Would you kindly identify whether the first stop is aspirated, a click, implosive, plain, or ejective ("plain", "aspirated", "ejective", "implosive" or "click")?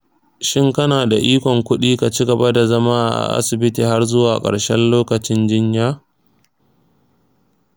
plain